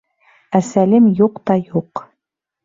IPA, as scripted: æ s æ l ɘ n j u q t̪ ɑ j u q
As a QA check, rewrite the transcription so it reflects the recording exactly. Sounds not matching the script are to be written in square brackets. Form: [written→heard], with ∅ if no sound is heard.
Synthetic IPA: æ s æ l ɘ [n→m] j u q t̪ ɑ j u q